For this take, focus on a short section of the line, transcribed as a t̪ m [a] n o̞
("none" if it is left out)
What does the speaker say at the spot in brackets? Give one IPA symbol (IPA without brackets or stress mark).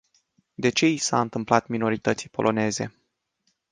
i